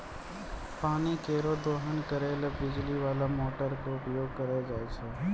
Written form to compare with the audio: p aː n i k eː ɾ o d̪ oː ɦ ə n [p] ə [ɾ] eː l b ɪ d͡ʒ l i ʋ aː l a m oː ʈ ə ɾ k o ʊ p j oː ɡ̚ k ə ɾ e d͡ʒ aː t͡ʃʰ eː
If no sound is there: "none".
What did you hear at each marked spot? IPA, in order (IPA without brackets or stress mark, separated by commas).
k, ɾ